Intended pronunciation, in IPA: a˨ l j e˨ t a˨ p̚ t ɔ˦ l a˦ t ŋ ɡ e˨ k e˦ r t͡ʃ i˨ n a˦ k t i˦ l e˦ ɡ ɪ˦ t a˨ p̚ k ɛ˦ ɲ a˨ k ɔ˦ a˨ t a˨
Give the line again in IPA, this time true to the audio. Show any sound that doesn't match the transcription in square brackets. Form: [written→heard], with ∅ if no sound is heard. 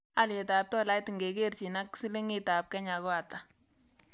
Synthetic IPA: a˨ l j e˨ t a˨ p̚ t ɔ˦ l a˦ t ŋ ɡ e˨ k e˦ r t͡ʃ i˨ n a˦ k [t→s] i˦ l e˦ [ɡ→ŋ] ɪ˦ t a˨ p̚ k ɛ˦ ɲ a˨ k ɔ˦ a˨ t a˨